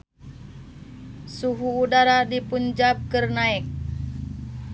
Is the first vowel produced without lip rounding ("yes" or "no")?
no